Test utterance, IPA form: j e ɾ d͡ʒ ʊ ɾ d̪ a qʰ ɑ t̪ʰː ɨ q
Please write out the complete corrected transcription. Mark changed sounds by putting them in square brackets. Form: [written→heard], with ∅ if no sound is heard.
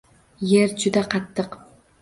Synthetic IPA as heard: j e ɾ d͡ʒ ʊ [ɾ→∅] d̪ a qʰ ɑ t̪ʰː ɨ q